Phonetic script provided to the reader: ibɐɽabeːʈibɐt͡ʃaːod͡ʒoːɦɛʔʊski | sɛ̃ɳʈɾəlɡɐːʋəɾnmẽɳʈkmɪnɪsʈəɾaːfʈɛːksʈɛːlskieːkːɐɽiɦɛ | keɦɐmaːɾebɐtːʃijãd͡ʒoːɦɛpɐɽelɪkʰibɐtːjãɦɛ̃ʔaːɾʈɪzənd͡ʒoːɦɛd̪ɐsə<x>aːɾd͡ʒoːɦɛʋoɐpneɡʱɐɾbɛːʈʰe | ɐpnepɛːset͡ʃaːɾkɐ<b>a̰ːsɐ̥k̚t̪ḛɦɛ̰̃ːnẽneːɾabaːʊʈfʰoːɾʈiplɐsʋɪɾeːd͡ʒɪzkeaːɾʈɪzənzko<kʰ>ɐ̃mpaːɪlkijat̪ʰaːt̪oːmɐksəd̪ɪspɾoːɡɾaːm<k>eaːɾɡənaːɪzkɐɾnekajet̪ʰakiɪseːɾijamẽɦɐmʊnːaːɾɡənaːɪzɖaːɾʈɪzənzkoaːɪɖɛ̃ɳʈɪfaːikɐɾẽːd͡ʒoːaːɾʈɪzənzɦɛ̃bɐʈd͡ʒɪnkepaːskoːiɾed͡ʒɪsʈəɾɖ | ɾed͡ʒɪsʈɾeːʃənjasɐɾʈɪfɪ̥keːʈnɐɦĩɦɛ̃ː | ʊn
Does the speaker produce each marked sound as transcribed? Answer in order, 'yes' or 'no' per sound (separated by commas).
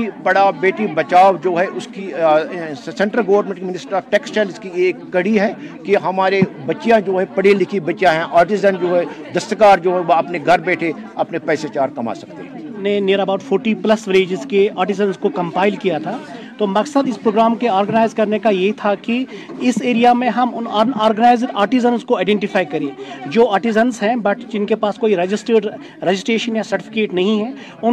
no, no, no, yes